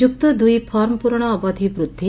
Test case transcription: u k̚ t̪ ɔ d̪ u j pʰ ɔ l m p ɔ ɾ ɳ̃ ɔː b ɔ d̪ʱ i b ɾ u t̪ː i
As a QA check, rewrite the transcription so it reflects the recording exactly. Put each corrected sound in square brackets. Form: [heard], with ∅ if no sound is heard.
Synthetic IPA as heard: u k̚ t̪ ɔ d̪ u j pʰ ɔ [ɾ] m p [u] ɾ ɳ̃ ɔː b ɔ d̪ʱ i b ɾ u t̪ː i